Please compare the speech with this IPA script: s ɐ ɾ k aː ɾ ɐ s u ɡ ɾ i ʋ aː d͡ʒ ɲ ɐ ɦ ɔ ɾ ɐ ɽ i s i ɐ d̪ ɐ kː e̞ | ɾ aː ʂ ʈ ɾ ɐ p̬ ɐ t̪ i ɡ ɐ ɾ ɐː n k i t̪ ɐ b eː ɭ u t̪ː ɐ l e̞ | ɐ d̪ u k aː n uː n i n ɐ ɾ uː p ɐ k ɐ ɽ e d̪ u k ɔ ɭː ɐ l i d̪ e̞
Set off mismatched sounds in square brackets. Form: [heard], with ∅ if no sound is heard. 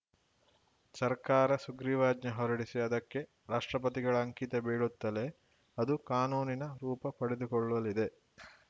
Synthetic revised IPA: s ɐ ɾ k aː ɾ ɐ s u ɡ ɾ i ʋ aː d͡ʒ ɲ ɐ ɦ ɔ ɾ ɐ ɽ i s i ɐ d̪ ɐ kː e̞ | ɾ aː ʂ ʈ ɾ ɐ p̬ ɐ t̪ i ɡ ɐ [ɭ] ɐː [ŋ] k i t̪ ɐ b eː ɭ u t̪ː ɐ l e̞ | ɐ d̪ u k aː n uː n i n ɐ ɾ uː p ɐ [p] ɐ ɽ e d̪ u k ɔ ɭː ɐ l i d̪ e̞